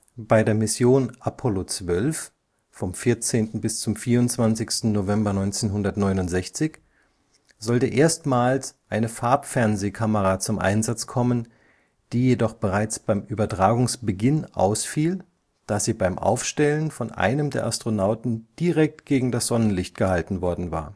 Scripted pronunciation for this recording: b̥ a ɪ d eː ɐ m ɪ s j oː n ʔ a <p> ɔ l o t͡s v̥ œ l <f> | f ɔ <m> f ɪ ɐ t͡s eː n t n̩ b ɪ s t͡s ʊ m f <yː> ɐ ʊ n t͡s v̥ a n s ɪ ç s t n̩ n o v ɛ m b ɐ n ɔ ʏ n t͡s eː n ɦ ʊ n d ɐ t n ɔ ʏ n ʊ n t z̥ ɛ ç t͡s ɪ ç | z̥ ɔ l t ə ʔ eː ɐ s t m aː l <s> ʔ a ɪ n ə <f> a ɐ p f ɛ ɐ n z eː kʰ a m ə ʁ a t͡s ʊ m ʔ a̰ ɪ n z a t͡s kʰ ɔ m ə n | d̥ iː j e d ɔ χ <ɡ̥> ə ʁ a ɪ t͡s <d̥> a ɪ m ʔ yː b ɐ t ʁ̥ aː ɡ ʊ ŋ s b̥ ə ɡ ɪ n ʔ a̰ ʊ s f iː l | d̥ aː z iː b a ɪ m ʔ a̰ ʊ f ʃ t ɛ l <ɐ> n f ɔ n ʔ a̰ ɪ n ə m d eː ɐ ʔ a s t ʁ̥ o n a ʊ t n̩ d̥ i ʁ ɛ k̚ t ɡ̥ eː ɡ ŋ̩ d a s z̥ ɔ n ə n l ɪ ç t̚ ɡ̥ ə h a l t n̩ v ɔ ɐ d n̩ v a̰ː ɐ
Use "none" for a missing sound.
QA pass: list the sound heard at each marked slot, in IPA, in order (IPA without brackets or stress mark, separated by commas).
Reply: pʰ, f, m, iː, s, f, b̥, b̥, ə